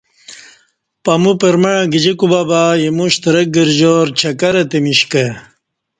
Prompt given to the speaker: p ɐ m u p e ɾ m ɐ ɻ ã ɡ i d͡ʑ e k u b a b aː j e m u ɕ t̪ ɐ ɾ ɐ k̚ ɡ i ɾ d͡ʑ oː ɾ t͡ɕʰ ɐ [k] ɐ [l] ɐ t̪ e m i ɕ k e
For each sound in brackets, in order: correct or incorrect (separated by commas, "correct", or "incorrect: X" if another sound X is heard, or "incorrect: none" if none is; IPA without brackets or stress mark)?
correct, incorrect: ɾ